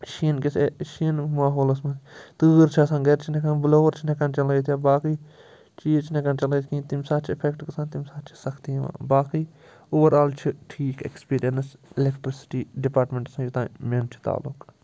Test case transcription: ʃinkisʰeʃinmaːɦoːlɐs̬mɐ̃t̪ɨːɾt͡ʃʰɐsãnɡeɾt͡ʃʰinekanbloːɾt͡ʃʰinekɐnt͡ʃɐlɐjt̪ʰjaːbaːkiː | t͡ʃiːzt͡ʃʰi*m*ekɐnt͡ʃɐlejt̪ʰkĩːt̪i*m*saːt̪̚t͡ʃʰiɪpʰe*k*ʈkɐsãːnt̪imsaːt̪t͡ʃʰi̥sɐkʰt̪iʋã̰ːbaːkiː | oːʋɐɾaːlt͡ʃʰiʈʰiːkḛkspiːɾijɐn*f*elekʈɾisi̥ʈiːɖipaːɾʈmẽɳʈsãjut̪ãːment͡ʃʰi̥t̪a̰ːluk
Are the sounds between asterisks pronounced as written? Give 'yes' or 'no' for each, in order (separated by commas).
no, yes, yes, no